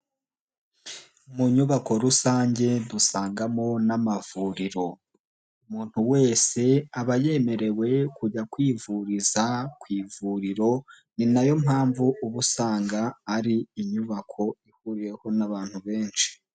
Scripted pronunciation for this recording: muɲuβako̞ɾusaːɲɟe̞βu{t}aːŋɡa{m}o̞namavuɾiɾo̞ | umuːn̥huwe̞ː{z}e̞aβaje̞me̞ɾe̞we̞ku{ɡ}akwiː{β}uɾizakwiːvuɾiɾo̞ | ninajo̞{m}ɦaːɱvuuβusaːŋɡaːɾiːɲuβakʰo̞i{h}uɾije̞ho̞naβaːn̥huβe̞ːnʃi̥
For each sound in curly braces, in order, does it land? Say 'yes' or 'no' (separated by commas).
no, yes, no, no, no, yes, yes